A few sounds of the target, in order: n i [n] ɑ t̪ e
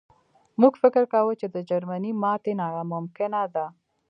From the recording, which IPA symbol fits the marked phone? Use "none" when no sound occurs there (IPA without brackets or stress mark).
m